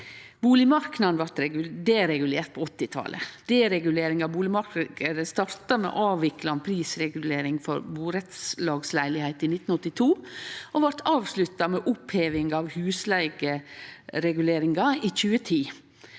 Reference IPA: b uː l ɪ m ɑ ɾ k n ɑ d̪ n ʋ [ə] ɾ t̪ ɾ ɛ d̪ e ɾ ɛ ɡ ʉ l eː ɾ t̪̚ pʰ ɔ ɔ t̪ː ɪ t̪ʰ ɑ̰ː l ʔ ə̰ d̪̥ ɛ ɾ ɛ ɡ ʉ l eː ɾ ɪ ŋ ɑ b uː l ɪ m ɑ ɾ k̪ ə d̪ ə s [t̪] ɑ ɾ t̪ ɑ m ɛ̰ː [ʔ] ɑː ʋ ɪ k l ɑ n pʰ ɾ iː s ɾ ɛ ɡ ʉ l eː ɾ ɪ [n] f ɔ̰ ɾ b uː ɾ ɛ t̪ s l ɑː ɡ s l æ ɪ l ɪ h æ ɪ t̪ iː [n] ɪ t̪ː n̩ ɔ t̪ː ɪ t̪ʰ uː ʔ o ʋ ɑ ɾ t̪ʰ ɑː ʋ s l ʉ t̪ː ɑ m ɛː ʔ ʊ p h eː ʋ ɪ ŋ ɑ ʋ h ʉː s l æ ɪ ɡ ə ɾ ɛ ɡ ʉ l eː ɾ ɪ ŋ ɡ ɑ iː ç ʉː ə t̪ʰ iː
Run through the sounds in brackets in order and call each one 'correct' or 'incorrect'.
incorrect, correct, correct, incorrect, correct

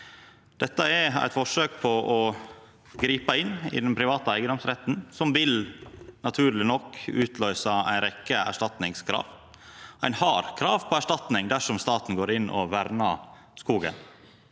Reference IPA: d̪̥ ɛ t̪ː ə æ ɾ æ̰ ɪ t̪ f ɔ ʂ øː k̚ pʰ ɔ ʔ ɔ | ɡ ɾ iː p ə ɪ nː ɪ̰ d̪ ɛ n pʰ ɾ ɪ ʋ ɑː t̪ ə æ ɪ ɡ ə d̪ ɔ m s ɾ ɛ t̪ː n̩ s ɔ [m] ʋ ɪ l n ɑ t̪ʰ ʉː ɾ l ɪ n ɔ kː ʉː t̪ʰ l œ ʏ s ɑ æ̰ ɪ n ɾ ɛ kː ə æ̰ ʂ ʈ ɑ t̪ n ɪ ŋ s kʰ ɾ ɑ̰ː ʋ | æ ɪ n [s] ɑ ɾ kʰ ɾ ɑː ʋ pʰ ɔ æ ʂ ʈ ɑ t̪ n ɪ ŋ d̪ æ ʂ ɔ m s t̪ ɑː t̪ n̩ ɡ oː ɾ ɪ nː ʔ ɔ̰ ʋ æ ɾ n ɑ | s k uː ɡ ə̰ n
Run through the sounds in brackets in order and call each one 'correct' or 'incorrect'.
correct, incorrect

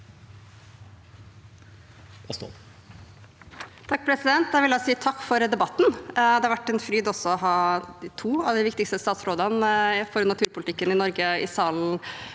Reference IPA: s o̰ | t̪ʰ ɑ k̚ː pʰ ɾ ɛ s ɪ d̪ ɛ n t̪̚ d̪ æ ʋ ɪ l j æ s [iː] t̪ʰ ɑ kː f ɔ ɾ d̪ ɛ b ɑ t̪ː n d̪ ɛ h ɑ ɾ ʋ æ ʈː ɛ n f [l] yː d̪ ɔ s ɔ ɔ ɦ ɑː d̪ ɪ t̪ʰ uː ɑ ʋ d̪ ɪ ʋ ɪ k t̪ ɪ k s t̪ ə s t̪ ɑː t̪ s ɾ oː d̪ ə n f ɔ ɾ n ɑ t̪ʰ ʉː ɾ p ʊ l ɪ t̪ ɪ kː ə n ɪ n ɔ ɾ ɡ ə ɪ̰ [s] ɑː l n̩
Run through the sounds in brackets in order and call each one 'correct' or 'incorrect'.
correct, incorrect, correct

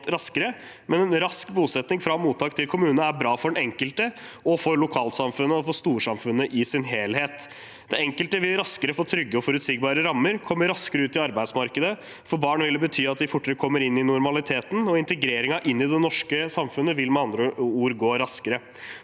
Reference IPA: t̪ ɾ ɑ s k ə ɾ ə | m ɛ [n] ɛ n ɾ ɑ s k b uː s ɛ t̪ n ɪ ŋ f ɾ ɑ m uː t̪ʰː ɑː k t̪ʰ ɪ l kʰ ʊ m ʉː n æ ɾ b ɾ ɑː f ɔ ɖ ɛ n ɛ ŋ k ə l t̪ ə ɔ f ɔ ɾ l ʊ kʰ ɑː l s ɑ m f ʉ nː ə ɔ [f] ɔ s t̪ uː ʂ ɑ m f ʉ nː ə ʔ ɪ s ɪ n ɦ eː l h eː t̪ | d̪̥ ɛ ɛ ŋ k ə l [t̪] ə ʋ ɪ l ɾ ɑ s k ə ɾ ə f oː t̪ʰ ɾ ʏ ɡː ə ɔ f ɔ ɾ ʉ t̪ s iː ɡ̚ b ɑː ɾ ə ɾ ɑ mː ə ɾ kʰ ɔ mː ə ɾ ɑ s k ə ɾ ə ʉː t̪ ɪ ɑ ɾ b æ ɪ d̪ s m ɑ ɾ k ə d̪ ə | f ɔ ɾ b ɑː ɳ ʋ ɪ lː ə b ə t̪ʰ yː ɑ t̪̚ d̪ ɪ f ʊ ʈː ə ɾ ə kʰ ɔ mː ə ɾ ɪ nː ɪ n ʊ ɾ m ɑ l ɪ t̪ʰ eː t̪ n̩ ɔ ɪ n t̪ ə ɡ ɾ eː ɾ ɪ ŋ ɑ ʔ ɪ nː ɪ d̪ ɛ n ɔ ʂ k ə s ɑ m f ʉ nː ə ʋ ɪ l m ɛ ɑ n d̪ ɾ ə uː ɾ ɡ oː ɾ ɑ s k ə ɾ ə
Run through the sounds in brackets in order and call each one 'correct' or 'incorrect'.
correct, correct, correct

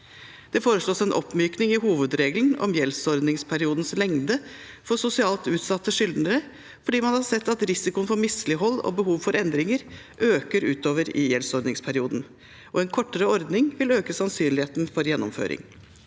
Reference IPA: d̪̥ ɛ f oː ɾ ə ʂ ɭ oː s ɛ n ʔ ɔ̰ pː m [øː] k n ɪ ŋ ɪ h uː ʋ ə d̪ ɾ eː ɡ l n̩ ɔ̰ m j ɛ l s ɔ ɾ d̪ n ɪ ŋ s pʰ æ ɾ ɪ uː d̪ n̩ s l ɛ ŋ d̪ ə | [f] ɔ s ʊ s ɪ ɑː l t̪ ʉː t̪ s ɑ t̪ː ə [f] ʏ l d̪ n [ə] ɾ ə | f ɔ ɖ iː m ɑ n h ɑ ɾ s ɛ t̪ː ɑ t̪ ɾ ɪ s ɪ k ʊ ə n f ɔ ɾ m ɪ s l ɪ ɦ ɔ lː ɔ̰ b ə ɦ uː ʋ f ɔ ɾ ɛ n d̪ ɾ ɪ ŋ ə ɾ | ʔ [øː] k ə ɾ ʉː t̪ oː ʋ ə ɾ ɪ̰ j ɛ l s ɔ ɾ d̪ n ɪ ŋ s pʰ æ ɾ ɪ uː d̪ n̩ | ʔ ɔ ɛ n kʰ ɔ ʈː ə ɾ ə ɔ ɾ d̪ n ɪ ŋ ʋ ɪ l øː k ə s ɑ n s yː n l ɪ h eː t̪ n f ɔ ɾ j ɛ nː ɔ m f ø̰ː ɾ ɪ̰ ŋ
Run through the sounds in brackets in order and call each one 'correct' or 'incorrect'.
incorrect, correct, incorrect, correct, correct

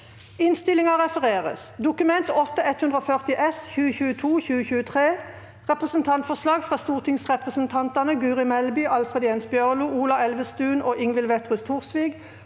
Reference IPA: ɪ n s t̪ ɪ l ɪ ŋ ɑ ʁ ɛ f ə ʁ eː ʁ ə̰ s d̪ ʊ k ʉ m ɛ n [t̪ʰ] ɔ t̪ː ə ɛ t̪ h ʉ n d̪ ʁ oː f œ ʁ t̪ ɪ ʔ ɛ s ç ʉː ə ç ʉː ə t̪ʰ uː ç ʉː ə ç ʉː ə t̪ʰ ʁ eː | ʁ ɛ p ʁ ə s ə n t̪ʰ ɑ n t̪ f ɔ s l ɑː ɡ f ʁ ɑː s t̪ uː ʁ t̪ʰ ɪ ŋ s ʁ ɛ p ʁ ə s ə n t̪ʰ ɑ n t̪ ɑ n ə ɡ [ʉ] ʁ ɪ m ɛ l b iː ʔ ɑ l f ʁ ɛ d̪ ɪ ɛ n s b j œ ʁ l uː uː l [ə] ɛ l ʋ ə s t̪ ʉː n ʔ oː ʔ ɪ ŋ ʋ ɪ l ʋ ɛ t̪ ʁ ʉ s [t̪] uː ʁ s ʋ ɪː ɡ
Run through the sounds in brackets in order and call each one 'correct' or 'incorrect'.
incorrect, incorrect, incorrect, incorrect

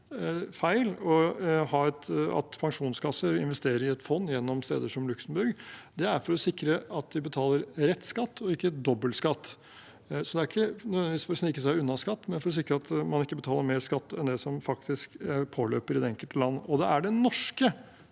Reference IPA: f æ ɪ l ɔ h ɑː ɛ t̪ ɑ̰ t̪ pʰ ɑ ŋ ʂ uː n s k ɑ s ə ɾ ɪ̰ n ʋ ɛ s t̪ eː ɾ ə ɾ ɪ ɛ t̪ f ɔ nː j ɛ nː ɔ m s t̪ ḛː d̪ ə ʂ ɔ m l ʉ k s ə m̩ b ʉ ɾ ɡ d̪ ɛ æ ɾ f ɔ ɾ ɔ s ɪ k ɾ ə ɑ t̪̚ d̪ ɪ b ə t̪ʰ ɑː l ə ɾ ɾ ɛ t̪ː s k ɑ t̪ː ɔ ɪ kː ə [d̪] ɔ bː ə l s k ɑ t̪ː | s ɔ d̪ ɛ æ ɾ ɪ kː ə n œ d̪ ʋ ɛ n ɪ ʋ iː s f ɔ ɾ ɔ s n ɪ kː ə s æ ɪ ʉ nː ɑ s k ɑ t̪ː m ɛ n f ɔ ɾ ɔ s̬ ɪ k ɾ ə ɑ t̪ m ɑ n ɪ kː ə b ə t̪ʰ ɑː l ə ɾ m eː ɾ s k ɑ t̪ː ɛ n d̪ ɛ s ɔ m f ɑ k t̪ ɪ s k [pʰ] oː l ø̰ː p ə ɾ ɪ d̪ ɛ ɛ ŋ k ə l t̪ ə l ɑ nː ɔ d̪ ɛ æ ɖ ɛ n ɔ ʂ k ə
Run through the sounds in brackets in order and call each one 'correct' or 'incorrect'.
correct, correct

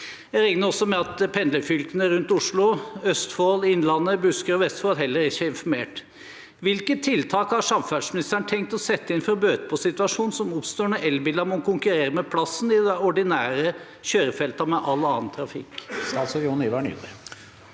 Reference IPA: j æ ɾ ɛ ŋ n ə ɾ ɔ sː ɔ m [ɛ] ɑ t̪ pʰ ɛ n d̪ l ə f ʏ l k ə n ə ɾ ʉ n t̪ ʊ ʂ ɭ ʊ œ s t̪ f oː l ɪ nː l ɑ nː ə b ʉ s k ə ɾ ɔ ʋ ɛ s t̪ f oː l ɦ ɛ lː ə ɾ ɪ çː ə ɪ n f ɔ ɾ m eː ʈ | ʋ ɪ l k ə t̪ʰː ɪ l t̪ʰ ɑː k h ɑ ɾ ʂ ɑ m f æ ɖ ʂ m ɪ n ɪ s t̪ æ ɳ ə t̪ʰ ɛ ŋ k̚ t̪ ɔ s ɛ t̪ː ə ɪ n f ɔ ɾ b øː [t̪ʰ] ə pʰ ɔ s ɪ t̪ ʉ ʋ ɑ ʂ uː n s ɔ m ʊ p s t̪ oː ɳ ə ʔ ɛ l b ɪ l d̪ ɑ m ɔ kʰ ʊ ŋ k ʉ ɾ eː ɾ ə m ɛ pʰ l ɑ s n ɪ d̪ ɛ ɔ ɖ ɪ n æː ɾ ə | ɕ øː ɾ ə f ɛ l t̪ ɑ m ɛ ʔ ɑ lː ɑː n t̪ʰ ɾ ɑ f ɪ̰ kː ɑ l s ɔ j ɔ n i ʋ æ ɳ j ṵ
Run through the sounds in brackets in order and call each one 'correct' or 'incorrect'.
correct, incorrect

